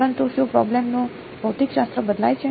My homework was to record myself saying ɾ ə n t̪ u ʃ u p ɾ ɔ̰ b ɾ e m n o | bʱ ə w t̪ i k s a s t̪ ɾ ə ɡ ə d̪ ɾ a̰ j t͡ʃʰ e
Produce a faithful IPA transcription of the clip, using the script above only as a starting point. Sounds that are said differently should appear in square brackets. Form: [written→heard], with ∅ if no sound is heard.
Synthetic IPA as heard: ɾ ə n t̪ u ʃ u p ɾ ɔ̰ b [ɾ→l] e m n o | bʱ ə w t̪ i k [s→ʃ] a s t̪ ɾ ə [ɡ→b] ə d̪ [ɾ→l] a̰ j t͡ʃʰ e